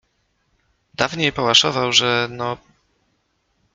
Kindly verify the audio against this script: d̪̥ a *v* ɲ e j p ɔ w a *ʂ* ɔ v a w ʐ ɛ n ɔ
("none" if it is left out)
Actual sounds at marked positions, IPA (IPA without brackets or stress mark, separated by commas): v, ʂ